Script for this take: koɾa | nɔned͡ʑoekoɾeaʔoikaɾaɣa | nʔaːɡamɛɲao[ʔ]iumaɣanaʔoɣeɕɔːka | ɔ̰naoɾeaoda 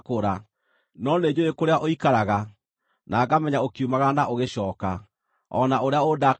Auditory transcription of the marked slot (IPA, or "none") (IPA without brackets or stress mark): k